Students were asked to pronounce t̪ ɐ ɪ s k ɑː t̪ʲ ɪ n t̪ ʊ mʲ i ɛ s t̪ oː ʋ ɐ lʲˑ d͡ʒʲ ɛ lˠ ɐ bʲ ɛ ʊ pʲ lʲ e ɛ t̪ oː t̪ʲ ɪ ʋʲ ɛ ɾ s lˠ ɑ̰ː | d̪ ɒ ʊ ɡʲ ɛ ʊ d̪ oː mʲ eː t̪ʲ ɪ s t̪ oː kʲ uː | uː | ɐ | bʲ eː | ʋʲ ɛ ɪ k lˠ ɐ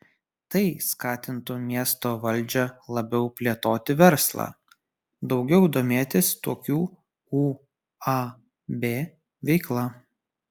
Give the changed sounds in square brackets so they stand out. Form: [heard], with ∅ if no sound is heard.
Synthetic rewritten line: t̪ ɐ ɪ s k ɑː t̪ʲ ɪ n t̪ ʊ mʲ i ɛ s t̪ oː ʋ ɐ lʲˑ d͡ʒʲ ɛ lˠ ɐ bʲ ɛ ʊ pʲ lʲ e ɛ t̪ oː t̪ʲ ɪ ʋʲ ɛ ɾ s lˠ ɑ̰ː | d̪ ɒ ʊ ɡʲ ɛ ʊ d̪ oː mʲ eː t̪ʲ ɪ s t̪ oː kʲ uː | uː | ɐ | bʲ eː | ʋʲ ɛ ɪ k lˠ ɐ